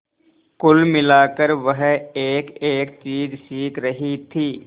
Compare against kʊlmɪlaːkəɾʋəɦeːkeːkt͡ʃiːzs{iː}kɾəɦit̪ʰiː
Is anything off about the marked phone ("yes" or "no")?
no